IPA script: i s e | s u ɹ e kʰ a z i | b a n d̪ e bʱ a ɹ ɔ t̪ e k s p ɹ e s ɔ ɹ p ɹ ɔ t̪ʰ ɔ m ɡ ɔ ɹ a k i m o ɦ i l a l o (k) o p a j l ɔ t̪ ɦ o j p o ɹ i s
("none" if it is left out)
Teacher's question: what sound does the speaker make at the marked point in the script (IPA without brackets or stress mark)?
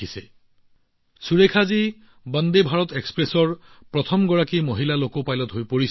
k